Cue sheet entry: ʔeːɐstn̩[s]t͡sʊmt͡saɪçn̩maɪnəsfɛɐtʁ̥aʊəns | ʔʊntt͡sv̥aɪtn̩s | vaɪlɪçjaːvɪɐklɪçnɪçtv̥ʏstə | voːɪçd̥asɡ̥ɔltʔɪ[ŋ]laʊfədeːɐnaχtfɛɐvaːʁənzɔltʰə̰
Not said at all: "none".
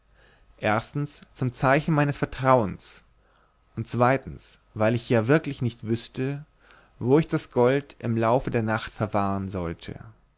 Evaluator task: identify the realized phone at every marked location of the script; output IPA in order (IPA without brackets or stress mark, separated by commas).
s, m